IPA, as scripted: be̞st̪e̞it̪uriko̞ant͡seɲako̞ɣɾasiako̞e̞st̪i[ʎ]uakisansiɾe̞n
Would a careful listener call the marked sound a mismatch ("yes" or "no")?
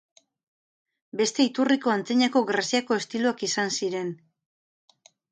yes